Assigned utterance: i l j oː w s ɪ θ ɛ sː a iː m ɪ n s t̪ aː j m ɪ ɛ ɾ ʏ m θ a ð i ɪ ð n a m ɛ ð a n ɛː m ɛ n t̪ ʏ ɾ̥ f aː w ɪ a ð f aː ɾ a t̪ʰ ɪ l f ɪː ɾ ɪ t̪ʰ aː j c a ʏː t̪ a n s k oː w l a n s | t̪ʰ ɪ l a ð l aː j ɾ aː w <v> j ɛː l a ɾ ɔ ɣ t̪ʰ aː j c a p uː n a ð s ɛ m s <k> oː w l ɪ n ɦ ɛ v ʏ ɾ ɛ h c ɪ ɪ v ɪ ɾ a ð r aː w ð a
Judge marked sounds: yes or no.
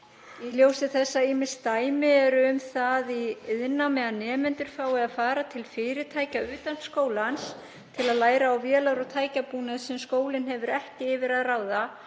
yes, yes

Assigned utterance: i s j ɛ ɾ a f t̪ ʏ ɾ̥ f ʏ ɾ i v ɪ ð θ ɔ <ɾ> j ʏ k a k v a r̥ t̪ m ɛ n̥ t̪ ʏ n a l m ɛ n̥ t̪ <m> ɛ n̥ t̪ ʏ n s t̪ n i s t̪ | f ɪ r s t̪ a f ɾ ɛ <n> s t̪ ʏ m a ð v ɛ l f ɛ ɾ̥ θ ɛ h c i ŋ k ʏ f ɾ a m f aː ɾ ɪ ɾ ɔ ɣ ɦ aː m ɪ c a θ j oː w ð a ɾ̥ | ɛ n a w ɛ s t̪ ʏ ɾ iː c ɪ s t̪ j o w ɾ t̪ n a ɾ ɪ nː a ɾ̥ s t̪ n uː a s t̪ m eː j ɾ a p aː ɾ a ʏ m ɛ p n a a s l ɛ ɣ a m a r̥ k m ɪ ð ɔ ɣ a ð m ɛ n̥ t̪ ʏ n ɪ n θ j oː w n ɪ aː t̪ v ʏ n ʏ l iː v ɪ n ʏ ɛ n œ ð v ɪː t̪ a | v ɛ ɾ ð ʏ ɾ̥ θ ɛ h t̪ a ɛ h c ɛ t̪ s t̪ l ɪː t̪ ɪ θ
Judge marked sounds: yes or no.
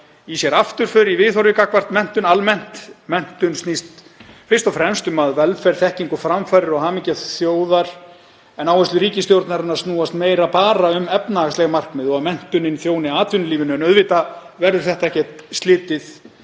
yes, yes, no

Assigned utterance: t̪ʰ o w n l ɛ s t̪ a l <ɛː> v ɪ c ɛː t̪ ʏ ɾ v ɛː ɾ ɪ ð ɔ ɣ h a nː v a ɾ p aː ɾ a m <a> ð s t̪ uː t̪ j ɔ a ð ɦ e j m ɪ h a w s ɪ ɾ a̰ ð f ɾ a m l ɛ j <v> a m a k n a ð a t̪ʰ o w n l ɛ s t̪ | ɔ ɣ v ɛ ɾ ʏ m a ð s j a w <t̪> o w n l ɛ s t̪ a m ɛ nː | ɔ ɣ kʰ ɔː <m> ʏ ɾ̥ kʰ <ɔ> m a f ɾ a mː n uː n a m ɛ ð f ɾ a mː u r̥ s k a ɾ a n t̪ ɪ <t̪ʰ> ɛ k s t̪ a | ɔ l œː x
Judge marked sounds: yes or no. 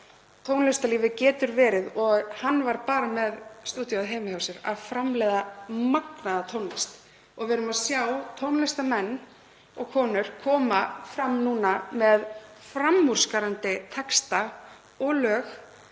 no, no, no, no, no, no, yes

